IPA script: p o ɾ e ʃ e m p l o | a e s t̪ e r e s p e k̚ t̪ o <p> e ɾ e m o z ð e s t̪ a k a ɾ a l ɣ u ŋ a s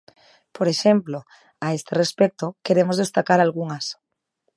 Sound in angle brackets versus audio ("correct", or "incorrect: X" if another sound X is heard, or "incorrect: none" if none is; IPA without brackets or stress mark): incorrect: k